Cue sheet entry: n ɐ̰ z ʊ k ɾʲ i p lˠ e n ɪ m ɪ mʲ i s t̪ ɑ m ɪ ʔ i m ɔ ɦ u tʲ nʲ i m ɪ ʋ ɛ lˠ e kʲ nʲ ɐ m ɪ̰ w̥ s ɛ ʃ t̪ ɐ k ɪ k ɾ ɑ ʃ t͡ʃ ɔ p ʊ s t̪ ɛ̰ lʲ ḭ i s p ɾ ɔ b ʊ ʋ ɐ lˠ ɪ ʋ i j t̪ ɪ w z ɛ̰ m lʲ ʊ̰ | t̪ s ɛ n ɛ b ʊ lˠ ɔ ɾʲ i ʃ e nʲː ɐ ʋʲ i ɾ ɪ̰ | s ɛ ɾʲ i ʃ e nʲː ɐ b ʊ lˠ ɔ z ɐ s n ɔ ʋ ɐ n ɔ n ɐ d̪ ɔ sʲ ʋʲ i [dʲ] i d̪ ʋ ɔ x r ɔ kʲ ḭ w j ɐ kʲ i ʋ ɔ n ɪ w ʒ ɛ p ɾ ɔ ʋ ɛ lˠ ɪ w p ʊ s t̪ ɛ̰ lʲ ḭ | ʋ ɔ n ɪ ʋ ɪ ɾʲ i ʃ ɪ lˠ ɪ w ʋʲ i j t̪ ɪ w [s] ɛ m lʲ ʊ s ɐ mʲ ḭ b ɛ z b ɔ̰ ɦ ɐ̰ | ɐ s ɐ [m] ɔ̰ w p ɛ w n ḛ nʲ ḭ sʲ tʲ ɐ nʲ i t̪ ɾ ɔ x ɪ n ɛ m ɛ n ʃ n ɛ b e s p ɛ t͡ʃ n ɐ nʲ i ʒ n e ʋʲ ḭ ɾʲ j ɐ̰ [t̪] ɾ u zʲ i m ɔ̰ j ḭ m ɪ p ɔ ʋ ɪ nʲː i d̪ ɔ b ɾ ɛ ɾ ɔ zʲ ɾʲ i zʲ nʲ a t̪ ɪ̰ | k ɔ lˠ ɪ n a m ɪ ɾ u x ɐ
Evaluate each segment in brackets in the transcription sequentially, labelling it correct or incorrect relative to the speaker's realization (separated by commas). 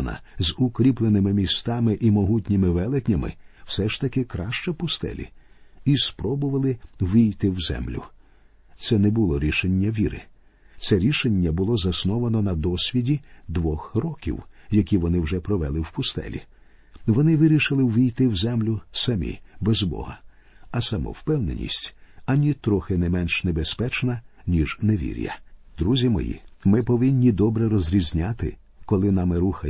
correct, incorrect, correct, incorrect